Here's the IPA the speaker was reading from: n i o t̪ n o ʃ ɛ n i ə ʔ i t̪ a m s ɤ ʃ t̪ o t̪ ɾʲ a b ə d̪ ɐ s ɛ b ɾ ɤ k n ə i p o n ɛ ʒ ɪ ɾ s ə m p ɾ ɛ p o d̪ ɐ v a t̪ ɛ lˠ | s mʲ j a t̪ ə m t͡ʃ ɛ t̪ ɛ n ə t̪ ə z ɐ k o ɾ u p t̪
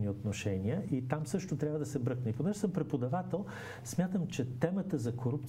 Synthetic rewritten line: n i o t̪ n o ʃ ɛ n i ə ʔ i t̪ a m s ɤ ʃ t̪ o t̪ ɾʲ a v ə d̪ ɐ s ɛ b ɾ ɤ k n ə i p o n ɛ ʒ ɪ s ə m p ɾ ɛ p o d̪ ɐ v a t̪ ɛ lˠ | s mʲ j a t̪ ə m t͡ʃ ɛ t̪ ɛ m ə t̪ ə z ɐ k o ɾ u p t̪